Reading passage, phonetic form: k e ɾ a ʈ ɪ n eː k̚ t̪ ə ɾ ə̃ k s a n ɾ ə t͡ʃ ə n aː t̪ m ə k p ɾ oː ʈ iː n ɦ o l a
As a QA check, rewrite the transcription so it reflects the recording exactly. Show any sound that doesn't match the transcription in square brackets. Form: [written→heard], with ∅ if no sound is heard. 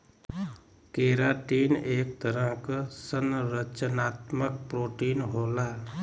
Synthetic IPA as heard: k e ɾ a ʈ [ɪ→i] n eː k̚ t̪ ə ɾ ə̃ k s [a→ə] n ɾ ə t͡ʃ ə n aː t̪ m ə k p ɾ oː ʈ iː n ɦ o l a